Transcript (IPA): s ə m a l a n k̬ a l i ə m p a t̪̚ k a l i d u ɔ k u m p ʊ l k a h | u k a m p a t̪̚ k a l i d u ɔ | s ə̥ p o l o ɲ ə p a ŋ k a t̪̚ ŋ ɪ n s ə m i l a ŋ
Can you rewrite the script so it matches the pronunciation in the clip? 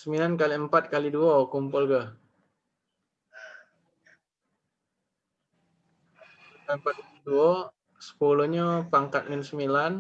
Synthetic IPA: s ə m i l a n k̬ a l i ə m p a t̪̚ k a l i d u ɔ k u m p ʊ l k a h | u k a m p a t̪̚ k a l i d u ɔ | s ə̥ p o l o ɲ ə p a ŋ k a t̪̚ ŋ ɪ n s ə m i l a n